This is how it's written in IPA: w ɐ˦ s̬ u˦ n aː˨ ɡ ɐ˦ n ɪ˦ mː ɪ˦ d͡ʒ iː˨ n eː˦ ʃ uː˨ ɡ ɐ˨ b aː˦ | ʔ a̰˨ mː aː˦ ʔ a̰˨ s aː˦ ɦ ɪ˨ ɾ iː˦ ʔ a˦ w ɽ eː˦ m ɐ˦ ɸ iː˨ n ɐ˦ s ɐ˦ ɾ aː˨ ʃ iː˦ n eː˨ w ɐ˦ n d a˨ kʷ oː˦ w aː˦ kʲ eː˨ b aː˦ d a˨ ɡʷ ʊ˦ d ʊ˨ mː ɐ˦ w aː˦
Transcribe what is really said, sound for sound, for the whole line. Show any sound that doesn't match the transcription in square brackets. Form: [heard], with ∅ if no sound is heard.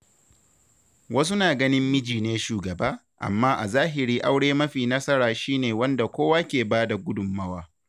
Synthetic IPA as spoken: w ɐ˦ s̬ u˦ n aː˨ ɡ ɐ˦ n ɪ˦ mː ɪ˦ d͡ʒ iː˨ n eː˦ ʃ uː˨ ɡ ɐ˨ b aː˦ | ʔ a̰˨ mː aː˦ ʔ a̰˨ [z] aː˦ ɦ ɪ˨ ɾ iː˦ ʔ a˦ w ɽ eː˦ m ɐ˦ ɸ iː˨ n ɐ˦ s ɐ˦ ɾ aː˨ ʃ iː˦ n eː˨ w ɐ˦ n d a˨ kʷ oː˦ w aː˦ kʲ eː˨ b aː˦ d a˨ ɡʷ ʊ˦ d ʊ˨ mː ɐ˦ w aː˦